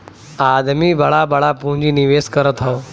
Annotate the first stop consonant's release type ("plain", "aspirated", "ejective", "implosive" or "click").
plain